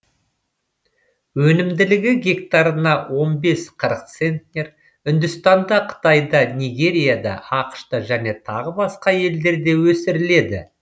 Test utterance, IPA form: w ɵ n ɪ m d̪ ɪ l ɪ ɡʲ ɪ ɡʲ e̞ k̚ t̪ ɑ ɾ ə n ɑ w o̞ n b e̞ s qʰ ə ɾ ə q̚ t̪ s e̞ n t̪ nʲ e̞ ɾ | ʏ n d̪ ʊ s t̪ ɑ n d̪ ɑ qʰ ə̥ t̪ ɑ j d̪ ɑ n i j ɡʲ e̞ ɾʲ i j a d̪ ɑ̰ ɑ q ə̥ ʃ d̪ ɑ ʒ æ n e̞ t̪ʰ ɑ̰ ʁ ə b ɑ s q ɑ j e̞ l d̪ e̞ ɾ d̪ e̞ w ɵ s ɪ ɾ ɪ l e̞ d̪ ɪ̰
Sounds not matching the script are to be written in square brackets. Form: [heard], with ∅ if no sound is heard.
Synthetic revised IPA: w ɵ n ɪ m d̪ ɪ l ɪ ɡʲ ɪ ɡʲ e̞ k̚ t̪ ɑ ɾ ə n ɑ w o̞ n b e̞ s qʰ ə ɾ ə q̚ t̪ s e̞ n t̪ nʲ e̞ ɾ | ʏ n d̪ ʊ s t̪ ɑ n d̪ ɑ qʰ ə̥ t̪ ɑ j d̪ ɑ n i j ɡʲ e̞ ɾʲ i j a d̪ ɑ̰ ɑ q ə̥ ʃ [t̪] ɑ ʒ æ n e̞ t̪ʰ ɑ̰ ʁ ə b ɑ s q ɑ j e̞ l d̪ e̞ ɾ d̪ e̞ w ɵ s ɪ ɾ ɪ l e̞ d̪ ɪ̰

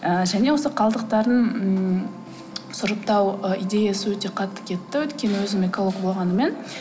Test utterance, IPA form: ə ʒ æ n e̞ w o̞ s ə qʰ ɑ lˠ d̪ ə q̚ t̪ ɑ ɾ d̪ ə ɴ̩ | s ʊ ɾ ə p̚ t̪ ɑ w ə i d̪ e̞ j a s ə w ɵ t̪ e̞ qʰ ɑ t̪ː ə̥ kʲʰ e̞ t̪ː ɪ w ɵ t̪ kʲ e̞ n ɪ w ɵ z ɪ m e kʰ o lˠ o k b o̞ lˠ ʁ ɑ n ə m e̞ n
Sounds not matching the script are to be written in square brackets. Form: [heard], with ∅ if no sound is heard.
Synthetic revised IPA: ə ʒ æ n e̞ w o̞ s ə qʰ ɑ lˠ d̪ ə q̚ t̪ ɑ ɾ d̪ ə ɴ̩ | s ʊ ɾ ə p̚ t̪ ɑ w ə i d̪ e̞ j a s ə w ɵ t̪ e̞ qʰ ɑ t̪ː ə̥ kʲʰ e̞ t̪ː ɪ w ɵ t̪ kʲ e̞ n ɪ w ɵ z ɪ m e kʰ o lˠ o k b o̞ lˠ ʁ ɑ n ə m e̞ n

